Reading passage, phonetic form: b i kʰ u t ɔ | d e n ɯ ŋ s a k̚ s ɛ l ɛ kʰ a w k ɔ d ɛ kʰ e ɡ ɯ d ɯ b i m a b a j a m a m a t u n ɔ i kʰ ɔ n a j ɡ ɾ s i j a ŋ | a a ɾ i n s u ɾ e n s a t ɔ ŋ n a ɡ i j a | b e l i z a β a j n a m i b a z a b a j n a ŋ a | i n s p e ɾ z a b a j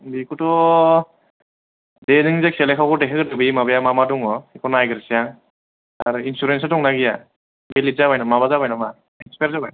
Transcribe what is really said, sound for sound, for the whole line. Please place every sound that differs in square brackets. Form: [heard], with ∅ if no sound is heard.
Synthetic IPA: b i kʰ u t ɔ | d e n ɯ ŋ [z] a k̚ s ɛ l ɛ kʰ a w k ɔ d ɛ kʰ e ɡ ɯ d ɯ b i m a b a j a m a m a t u [ŋ] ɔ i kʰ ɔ n a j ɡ ɾ s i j a ŋ | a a ɾ i n s u ɾ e n s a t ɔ ŋ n a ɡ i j a | b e l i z a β a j n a m [a] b a z a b a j n a [m] a | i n s p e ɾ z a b a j